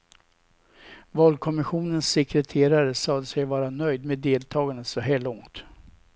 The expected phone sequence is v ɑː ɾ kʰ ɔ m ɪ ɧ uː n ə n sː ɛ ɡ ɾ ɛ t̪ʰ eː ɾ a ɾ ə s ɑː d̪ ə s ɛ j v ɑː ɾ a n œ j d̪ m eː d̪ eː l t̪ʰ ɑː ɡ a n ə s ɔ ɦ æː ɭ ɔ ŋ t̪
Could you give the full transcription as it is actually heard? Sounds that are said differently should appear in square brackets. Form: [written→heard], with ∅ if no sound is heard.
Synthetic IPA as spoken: v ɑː [ɾ→l] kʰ ɔ m ɪ ɧ uː n ə n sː ɛ [ɡ→k] ɾ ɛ t̪ʰ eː ɾ a ɾ ə s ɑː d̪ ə s ɛ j v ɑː ɾ a n œ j d̪ m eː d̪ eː l t̪ʰ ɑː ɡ a n ə s ɔ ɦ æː ɭ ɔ ŋ t̪